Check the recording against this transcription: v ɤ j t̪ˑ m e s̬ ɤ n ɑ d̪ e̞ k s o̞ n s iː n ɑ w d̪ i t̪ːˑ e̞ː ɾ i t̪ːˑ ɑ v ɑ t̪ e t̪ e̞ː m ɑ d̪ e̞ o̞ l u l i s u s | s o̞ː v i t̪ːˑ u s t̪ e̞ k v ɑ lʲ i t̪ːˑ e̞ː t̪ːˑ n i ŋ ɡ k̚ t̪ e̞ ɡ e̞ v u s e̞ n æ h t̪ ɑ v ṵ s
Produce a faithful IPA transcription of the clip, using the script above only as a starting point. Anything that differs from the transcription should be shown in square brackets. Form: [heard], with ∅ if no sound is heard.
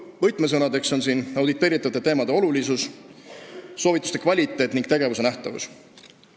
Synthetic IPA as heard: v ɤ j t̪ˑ m e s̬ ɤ n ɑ d̪ e̞ k s o̞ n s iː n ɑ w d̪ i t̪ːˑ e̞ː ɾ i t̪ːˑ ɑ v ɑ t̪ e t̪ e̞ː m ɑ d̪ e̞ o̞ l u l i s u s | s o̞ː v i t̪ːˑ u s t̪ e̞ k v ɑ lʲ i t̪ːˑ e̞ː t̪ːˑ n i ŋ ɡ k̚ t̪ e̞ ɡ e̞ v u s e̞ n æ h t̪ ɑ v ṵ s